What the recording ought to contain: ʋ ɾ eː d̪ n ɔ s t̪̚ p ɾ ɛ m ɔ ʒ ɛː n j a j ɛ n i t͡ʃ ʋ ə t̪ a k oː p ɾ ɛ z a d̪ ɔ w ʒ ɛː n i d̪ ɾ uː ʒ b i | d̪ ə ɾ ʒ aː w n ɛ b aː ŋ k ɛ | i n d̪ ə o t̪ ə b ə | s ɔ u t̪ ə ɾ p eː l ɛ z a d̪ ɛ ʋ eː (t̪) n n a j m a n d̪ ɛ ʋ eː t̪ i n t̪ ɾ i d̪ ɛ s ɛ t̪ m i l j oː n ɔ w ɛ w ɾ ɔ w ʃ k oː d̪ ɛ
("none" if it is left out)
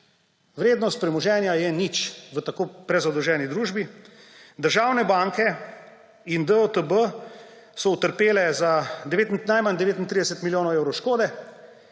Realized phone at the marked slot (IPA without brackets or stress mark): t̪